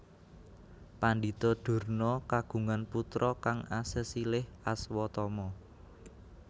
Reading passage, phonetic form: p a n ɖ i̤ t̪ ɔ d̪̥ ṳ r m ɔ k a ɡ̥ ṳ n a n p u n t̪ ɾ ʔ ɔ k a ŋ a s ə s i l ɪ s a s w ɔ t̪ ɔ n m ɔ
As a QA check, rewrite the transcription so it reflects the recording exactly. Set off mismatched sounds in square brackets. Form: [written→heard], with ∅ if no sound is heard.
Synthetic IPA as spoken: p a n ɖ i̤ t̪ ɔ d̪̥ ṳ r [m→n] ɔ k a ɡ̥ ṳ [n→ŋ] a n p u [n→∅] t̪ ɾ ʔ ɔ k a ŋ a s ə s i l ɪ [s→h] a s w ɔ t̪ ɔ [n→∅] m ɔ